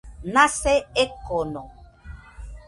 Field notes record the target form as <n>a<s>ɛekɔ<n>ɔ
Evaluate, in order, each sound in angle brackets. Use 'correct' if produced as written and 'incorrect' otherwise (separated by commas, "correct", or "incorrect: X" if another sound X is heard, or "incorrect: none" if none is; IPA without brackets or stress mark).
correct, correct, correct